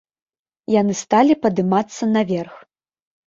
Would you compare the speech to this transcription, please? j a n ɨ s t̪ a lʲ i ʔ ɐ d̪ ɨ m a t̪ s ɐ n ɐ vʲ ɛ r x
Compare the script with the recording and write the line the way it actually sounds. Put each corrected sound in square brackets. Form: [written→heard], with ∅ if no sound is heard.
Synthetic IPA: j a n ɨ s t̪ a lʲ i [ʔ→p] ɐ d̪ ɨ m a t̪ [s→sː] ɐ n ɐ vʲ ɛ r x